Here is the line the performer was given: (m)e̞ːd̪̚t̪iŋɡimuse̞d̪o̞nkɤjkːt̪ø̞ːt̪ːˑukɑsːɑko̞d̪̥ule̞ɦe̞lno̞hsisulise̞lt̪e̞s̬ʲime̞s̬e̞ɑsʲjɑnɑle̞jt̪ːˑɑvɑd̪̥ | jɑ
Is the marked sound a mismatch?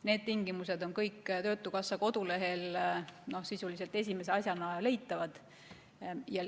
yes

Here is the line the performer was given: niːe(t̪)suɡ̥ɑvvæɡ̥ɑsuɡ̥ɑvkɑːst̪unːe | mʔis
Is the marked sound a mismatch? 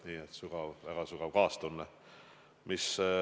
no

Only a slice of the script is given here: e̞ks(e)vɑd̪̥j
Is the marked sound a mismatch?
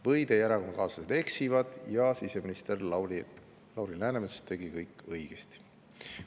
yes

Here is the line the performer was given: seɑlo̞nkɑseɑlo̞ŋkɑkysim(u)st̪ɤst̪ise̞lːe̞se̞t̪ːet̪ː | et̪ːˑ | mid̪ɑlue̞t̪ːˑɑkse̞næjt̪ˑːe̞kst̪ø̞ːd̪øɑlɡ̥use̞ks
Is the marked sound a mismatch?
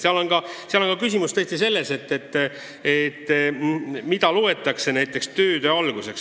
no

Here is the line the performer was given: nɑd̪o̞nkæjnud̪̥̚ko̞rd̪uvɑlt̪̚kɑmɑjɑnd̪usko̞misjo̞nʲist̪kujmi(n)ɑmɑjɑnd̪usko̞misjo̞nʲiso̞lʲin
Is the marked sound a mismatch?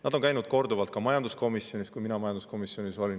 no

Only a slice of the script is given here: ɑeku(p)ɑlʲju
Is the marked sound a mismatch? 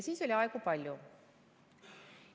no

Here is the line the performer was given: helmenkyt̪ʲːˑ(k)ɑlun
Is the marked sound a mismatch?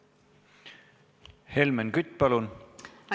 yes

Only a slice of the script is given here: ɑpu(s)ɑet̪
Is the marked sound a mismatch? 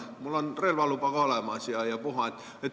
yes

